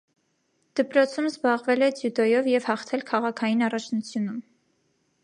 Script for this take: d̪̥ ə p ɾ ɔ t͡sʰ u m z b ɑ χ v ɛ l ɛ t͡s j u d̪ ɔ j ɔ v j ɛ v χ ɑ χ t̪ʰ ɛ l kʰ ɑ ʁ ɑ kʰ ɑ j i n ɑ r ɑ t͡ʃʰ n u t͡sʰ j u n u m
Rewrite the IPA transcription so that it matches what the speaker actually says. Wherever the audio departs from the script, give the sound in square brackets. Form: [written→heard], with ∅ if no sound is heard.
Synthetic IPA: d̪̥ ə p ɾ ɔ t͡sʰ u m z b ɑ [χ→ʁ] v ɛ l ɛ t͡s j u d̪ ɔ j ɔ v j ɛ v [χ→h] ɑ χ t̪ʰ ɛ l kʰ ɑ ʁ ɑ kʰ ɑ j i n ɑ r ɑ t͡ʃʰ n u t͡sʰ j u n u m